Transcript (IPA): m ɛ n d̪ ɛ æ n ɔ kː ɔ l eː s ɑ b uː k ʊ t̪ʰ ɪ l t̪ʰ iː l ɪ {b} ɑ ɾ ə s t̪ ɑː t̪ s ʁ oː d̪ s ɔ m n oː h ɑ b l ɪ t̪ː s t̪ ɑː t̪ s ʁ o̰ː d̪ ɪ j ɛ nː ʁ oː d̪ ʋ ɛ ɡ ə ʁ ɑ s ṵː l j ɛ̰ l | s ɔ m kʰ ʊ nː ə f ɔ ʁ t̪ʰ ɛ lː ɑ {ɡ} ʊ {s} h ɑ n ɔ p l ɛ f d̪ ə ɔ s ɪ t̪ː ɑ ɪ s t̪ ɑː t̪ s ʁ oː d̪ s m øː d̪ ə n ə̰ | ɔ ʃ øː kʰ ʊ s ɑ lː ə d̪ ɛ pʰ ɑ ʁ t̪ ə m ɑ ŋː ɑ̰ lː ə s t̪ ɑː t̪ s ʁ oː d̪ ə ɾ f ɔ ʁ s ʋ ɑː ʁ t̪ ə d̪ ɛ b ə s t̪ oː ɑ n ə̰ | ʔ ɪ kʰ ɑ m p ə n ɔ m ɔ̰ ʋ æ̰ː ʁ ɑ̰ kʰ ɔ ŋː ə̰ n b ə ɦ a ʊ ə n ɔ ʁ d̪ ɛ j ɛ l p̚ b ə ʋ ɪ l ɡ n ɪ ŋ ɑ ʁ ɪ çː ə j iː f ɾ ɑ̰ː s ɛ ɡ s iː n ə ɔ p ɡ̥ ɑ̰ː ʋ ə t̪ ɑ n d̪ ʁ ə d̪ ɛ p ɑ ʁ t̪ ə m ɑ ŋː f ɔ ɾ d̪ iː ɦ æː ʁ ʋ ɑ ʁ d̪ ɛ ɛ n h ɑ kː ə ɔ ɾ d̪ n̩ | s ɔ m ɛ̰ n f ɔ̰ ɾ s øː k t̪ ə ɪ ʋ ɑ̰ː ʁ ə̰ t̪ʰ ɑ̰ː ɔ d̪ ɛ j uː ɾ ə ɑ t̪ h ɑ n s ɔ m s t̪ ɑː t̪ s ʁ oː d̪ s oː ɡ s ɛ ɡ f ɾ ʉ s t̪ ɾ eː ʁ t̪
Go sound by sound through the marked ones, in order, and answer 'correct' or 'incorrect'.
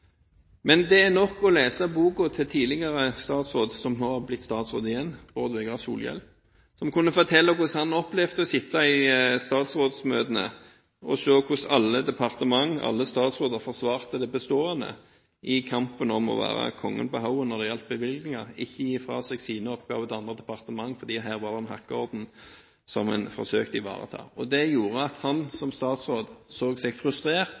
incorrect, incorrect, correct

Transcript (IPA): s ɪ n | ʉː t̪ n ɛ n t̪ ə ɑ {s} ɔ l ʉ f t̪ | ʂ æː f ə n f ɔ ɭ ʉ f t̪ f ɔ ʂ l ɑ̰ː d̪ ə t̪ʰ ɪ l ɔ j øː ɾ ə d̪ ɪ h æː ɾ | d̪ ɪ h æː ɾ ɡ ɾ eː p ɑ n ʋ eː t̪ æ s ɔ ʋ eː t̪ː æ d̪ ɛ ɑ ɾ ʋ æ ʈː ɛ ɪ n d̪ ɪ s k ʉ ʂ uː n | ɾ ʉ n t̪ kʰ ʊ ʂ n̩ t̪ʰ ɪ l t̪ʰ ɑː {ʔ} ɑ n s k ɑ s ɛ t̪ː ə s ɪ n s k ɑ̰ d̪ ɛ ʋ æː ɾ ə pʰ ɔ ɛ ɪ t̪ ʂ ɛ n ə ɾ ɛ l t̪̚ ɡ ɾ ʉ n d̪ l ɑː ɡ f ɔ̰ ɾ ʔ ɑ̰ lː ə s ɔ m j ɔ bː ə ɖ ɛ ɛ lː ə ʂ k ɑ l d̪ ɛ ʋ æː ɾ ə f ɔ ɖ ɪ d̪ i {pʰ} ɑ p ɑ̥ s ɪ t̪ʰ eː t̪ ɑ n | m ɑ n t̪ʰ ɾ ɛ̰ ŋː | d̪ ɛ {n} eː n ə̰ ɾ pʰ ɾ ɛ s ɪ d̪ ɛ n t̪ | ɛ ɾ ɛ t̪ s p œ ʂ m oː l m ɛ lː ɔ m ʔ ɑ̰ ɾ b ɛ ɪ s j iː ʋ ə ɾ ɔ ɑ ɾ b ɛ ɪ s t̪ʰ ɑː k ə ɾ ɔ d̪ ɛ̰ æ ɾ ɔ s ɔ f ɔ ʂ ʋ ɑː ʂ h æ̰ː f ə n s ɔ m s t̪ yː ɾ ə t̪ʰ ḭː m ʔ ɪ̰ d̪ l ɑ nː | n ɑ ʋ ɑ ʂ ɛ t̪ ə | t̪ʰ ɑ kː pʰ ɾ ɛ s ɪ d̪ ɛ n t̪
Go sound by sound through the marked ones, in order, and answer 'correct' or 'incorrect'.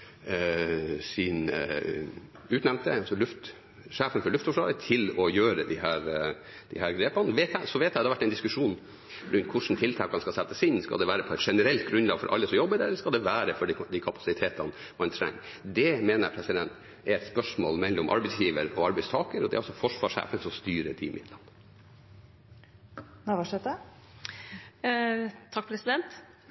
correct, incorrect, incorrect, incorrect

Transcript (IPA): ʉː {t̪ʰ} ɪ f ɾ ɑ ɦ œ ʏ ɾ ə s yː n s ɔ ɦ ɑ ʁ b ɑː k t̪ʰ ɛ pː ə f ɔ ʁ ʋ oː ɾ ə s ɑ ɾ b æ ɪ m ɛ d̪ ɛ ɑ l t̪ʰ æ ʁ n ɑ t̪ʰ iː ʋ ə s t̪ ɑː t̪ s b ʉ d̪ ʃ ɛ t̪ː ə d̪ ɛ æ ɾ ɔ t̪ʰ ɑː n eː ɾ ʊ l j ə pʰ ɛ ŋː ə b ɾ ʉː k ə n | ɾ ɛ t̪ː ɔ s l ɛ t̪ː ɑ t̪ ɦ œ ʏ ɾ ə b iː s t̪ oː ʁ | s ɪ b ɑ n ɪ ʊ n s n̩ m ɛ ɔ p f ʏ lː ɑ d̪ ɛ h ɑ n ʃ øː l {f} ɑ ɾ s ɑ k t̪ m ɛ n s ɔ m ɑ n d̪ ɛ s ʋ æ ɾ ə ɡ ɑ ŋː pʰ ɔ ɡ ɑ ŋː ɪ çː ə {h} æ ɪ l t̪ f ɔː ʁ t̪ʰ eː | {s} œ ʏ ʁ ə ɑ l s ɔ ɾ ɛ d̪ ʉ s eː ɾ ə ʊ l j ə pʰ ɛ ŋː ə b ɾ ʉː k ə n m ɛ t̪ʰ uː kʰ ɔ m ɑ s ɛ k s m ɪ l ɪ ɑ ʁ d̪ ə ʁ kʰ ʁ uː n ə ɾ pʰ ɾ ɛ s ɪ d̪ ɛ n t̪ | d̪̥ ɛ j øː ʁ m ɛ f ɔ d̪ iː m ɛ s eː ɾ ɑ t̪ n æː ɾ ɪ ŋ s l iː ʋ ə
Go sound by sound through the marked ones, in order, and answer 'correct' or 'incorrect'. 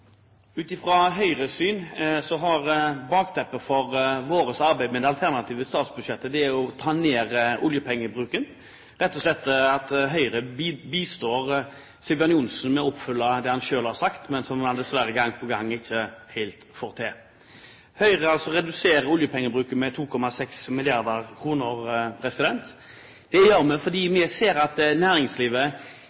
incorrect, incorrect, correct, incorrect

